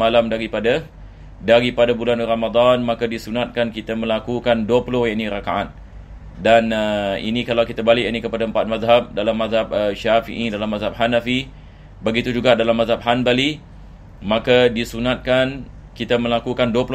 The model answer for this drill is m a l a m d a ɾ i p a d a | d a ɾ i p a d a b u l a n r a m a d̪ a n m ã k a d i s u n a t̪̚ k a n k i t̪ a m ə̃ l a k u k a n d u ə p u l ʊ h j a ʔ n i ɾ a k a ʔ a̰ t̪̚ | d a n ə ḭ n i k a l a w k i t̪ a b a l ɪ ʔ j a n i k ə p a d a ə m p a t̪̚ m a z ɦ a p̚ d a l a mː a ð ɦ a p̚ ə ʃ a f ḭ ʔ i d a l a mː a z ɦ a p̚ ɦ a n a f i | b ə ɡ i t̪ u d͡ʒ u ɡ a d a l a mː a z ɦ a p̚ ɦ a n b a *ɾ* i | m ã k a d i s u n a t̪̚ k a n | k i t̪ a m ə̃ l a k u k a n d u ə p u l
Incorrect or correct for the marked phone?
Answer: incorrect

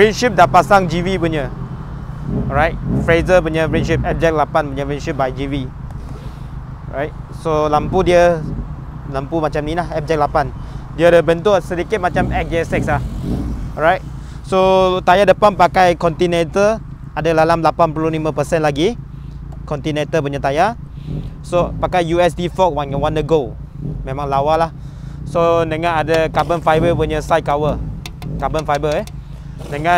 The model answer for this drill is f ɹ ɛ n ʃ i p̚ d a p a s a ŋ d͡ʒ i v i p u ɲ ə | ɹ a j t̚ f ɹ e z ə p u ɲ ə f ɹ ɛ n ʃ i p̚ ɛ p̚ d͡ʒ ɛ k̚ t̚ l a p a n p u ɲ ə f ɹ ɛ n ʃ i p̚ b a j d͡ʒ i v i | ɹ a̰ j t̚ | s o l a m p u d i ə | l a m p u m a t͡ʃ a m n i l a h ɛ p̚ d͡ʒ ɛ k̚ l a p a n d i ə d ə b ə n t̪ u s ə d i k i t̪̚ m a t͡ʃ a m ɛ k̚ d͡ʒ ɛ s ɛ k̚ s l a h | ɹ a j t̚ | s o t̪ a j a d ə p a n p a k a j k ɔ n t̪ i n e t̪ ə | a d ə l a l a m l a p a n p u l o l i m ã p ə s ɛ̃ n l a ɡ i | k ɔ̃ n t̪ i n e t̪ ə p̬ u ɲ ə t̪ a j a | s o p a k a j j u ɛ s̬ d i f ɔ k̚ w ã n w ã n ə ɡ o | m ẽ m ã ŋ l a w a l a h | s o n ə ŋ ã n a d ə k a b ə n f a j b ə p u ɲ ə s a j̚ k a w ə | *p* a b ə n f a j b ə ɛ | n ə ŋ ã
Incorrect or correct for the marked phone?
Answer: incorrect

